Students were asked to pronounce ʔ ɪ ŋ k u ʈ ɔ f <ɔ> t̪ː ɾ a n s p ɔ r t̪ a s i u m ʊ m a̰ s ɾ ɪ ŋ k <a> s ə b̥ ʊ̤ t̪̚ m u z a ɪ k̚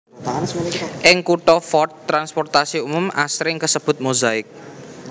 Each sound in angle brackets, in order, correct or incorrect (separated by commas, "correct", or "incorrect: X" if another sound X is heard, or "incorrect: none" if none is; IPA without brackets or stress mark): correct, incorrect: ə